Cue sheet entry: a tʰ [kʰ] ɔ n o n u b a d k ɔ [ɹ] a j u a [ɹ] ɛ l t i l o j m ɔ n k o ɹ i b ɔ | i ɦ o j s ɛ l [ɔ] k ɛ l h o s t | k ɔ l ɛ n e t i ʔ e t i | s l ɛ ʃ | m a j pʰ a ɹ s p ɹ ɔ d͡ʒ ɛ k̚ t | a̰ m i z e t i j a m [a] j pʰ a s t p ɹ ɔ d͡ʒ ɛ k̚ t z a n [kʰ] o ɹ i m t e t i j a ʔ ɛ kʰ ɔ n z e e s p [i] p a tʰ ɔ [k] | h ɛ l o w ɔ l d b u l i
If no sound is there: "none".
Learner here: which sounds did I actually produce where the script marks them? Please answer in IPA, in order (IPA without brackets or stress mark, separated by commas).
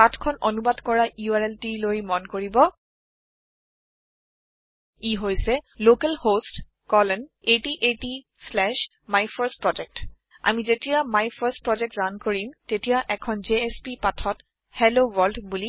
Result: kʰ, ɹ, ɹ, o, a, k, i, t